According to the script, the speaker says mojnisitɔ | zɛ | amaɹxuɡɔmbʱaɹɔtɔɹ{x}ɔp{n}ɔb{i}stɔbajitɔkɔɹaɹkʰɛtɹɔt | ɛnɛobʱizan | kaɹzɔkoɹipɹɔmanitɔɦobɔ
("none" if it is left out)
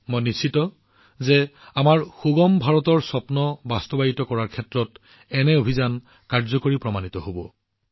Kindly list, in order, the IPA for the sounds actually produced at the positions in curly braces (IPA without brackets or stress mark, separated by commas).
s, n, a